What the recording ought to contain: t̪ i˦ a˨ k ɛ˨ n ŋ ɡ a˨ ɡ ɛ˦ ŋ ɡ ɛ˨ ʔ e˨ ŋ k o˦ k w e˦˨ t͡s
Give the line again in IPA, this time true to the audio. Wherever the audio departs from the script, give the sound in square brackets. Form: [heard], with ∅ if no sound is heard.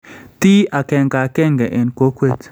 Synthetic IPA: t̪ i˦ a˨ k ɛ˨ [∅] ŋ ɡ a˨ [k] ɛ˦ ŋ ɡ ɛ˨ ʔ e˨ [n] k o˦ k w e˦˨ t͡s